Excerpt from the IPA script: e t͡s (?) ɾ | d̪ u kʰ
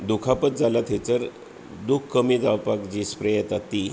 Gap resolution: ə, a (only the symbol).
ə